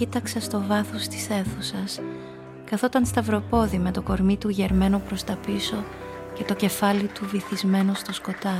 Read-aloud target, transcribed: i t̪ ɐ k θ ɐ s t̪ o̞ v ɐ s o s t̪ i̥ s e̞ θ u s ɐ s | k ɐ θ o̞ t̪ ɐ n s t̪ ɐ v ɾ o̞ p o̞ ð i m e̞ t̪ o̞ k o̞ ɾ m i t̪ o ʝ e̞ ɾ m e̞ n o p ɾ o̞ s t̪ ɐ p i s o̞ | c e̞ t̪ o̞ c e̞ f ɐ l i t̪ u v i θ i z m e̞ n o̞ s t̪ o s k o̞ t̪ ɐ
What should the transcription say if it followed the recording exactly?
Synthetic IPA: i t̪ ɐ k s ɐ s t̪ o̞ v ɐ θ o s t̪ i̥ s e̞ θ u s ɐ s | k ɐ θ o̞ t̪ ɐ n s t̪ ɐ v ɾ o̞ p o̞ ð i m e̞ t̪ o̞ k o̞ ɾ m i t̪ u ʝ e̞ ɾ m e̞ n o p ɾ o̞ s t̪ ɐ p i s o̞ | c e̞ t̪ o̞ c e̞ f ɐ l i t̪ u v i θ i z m e̞ n o̞ s t̪ o s k o̞ t̪ ɐ